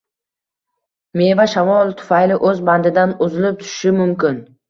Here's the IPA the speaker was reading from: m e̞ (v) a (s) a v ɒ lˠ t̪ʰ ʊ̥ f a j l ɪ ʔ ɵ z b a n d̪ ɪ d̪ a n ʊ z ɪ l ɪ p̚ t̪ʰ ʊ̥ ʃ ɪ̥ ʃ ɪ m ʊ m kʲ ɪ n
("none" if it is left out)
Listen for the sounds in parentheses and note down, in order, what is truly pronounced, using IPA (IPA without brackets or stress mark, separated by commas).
v, ʃ